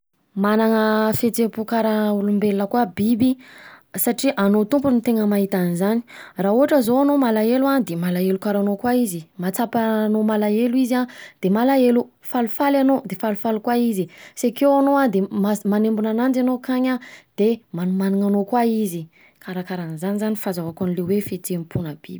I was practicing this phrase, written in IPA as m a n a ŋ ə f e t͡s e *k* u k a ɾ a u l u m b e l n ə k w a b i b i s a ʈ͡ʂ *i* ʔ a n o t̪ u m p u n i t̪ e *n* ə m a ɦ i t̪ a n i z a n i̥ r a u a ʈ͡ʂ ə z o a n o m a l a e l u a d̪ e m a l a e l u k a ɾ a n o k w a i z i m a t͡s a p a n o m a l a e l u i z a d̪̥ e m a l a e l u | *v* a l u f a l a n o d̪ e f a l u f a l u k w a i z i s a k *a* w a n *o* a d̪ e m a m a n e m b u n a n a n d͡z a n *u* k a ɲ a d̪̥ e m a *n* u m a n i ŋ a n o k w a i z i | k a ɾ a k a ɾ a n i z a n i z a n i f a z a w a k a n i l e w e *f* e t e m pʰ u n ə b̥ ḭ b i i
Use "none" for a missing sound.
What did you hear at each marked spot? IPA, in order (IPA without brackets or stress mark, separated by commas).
p, i, ŋ, f, e, o, o, n, f